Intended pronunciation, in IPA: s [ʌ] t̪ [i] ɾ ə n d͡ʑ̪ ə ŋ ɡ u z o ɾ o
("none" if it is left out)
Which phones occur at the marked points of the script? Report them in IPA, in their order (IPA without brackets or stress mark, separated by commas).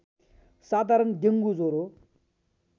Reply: a, a